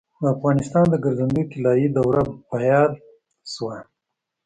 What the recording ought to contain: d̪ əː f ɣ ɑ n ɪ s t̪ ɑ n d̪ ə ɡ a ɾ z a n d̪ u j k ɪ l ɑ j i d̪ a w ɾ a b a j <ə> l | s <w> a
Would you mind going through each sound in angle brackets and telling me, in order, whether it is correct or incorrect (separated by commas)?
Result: incorrect, correct